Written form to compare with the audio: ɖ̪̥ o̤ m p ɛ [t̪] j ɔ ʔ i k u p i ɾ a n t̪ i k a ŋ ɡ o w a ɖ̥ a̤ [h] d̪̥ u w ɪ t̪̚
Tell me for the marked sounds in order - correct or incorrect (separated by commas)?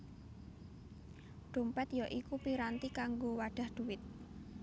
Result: correct, correct